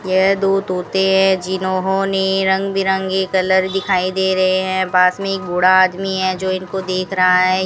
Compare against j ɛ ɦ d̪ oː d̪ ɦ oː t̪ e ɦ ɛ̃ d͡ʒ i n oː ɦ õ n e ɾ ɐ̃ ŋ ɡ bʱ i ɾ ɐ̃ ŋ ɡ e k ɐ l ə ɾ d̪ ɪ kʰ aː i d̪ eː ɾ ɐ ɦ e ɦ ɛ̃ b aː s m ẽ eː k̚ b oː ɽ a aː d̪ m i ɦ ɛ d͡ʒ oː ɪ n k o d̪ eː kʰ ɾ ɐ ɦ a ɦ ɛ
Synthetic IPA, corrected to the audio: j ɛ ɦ d̪ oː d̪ ɦ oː t̪ e ɦ ɛ̃ d͡ʒ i n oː ɦ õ n e ɾ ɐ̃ ŋ ɡ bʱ i ɾ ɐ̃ ŋ ɡ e k ɐ l ə ɾ d̪ ɪ kʰ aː i d̪ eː ɾ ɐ ɦ e ɦ ɛ̃ b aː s m ẽ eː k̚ b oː ɽ a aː d̪ m i ɦ ɛ d͡ʒ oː ɪ n k o d̪ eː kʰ ɾ ɐ ɦ a ɦ ɛ